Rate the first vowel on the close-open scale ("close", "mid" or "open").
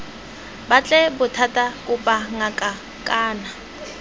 open